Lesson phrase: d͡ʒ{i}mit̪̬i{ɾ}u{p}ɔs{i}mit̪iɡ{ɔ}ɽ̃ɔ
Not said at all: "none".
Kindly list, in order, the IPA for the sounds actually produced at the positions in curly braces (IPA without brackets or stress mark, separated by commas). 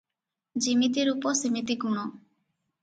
i, ɾ, p, i, u